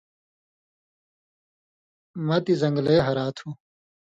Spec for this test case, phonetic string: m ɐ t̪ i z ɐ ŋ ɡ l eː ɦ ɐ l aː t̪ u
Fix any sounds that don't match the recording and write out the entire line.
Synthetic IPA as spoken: m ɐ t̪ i z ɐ ŋ ɡ l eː ɦ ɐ ɾ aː t̪ʰ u